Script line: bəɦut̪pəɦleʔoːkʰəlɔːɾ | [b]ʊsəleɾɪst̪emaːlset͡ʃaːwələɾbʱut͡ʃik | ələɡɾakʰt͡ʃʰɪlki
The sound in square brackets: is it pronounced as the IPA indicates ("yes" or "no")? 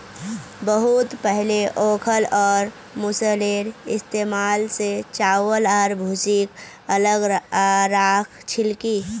no